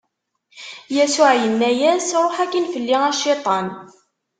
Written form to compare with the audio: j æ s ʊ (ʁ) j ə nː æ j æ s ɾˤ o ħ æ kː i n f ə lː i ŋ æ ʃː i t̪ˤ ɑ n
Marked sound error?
yes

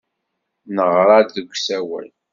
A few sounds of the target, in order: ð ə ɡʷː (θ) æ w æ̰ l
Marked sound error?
yes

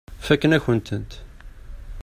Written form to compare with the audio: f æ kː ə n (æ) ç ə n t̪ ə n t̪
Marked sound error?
no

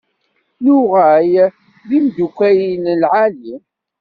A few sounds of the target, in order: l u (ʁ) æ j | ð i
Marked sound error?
no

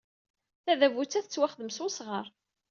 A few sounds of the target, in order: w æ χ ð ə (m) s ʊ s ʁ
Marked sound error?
no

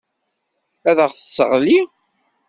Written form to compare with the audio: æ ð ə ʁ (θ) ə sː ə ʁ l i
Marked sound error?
no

